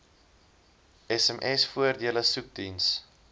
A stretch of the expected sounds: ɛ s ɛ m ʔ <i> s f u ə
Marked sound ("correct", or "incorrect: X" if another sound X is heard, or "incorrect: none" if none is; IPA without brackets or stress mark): incorrect: ɛ